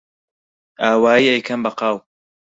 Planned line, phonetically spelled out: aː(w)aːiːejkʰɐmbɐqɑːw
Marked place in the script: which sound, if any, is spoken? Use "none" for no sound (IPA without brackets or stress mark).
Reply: w